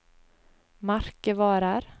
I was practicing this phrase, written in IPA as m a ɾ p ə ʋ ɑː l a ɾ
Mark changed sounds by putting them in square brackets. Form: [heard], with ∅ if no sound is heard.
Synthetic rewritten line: m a ɾ [k] ə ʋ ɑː [ɾ] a ɾ